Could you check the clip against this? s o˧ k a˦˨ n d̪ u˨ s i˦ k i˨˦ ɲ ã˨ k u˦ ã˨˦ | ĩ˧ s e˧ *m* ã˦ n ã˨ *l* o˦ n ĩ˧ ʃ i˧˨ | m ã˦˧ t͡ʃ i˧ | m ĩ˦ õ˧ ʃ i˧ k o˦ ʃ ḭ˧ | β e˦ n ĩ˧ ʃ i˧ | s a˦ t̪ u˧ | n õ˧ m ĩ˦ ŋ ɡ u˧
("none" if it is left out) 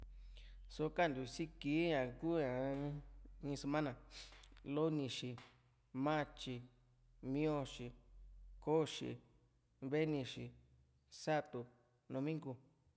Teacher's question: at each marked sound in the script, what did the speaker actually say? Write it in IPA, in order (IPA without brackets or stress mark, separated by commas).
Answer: m, l